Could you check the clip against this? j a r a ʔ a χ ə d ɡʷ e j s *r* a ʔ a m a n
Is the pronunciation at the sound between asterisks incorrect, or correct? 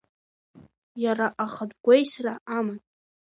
correct